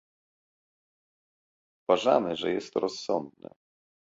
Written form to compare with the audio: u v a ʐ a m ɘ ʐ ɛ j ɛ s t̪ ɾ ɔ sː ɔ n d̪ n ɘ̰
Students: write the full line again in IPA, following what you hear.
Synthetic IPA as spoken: u v a ʐ a m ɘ ʐ ɛ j ɛ s t̪ ɾ ɔ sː ɔ n d̪ n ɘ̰